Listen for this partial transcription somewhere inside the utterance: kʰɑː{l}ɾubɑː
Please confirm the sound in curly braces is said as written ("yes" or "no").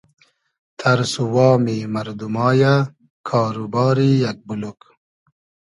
no